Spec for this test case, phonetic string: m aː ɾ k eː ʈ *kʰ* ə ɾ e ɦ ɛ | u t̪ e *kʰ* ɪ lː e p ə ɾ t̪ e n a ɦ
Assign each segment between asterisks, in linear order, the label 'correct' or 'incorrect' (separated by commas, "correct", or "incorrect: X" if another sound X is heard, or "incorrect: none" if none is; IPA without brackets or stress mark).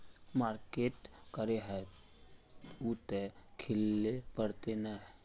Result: incorrect: k, correct